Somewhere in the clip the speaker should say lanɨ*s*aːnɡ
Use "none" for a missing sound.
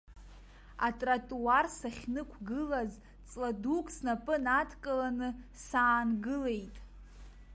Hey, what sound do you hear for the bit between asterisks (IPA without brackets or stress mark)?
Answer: s